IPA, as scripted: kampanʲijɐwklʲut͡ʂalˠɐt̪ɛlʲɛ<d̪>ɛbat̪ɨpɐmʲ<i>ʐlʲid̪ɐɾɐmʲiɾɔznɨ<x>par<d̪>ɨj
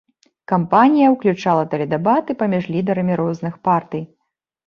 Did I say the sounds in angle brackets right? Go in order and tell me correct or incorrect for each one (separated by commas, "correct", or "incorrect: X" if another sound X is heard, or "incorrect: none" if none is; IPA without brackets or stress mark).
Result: correct, correct, correct, incorrect: t̪